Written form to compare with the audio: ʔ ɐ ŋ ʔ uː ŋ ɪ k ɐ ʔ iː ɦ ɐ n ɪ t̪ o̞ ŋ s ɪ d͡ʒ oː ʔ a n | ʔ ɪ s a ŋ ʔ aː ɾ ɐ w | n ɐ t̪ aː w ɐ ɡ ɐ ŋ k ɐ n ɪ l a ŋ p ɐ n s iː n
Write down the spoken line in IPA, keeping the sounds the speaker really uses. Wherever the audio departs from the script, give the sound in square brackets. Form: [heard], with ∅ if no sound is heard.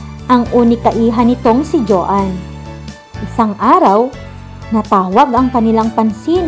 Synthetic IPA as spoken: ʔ ɐ ŋ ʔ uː [n] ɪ k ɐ ʔ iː ɦ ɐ n ɪ t̪ o̞ ŋ s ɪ d͡ʒ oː ʔ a n | ʔ ɪ s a ŋ ʔ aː ɾ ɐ w | n ɐ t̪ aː w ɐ ɡ ɐ ŋ k ɐ n ɪ l a ŋ p ɐ n s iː n